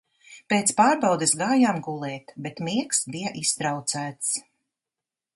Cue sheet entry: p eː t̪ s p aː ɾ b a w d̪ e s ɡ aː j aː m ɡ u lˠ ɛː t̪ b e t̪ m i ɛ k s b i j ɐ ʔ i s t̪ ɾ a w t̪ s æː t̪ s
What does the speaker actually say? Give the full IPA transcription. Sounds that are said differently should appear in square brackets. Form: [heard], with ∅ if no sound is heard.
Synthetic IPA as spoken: p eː t̪ s p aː ɾ b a w d̪ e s ɡ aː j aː m ɡ u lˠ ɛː t̪ b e t̪ m i ɛ k s b i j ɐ ʔ i s t̪ ɾ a w t̪ s æː t̪ s